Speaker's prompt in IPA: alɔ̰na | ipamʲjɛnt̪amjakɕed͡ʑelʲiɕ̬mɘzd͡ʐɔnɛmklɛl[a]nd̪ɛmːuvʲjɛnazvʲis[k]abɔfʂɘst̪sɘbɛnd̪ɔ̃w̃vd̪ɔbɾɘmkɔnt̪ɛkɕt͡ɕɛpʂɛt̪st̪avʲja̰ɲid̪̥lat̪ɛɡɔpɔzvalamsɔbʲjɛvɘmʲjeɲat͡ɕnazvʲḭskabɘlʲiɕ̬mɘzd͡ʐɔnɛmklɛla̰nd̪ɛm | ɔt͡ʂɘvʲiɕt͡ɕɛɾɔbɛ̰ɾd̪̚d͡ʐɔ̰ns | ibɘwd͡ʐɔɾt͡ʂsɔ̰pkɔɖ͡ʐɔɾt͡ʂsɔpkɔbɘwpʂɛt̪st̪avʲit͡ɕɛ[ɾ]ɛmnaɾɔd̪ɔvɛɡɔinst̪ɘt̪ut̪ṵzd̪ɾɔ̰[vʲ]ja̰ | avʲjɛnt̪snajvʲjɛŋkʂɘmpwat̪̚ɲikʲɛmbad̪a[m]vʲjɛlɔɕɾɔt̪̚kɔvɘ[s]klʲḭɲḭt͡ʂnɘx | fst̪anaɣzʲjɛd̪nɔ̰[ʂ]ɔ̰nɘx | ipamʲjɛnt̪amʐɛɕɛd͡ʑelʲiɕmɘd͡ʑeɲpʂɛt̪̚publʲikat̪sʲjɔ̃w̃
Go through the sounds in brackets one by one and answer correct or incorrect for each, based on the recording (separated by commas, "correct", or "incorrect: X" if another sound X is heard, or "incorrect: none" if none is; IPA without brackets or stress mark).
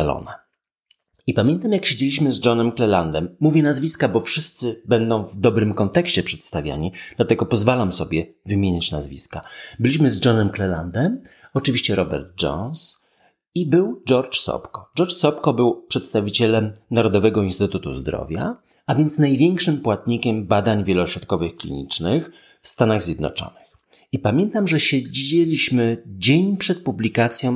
correct, correct, incorrect: l, correct, incorrect: ɲ, incorrect: x, incorrect: t͡ʂ